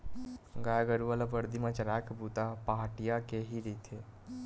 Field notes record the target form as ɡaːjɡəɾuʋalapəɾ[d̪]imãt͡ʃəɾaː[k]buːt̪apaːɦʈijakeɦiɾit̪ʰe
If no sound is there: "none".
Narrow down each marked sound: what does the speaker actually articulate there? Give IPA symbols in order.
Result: d̪, k

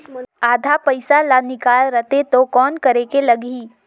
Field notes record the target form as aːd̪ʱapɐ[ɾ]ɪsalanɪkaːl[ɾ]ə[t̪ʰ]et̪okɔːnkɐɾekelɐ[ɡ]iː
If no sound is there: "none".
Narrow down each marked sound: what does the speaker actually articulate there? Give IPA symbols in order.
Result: none, ɾ, t̪, ɡ

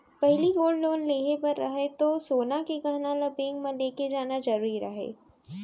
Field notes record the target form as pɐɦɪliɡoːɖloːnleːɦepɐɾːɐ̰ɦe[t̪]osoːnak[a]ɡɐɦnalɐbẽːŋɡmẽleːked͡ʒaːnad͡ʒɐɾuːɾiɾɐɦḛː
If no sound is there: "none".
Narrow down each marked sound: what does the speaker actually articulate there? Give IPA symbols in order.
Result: t̪, e

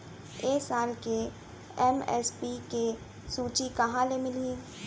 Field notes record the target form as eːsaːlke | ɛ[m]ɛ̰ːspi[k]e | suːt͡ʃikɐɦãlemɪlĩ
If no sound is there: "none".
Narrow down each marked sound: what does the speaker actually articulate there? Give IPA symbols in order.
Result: m, k

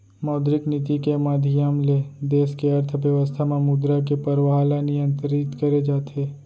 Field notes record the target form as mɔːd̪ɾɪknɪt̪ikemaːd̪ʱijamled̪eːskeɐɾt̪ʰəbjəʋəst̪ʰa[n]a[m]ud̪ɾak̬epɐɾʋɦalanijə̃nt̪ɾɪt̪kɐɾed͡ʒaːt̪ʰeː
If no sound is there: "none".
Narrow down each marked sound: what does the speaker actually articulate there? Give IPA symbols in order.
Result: m, m

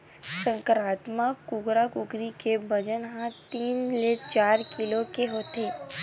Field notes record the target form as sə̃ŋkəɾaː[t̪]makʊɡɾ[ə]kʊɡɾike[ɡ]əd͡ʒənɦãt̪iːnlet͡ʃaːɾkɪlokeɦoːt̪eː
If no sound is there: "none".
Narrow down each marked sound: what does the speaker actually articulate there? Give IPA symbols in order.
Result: t̪, a, b

